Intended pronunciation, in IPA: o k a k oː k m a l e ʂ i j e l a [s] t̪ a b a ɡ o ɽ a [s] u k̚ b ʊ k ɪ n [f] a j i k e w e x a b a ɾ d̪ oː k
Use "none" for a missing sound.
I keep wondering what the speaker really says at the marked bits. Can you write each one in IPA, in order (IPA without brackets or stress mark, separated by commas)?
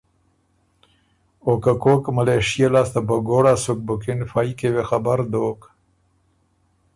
s, s, f